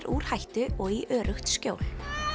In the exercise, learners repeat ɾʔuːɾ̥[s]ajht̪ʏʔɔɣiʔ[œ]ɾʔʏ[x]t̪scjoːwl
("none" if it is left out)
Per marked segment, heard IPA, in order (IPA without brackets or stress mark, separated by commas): h, œː, x